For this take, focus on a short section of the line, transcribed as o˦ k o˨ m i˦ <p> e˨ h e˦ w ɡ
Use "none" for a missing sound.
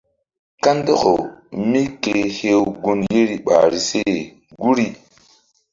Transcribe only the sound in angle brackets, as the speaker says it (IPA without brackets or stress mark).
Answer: k